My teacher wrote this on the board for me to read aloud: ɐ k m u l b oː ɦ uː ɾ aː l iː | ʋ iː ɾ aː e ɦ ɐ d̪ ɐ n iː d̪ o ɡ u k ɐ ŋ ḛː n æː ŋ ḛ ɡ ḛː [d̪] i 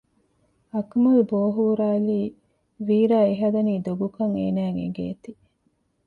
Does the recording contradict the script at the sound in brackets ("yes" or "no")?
yes